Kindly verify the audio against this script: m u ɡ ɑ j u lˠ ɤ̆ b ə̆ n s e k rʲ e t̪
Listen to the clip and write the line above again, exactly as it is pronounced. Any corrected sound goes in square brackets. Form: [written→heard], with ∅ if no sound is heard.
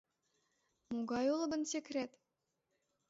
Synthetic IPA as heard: m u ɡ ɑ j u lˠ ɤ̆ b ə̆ n s e k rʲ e t̪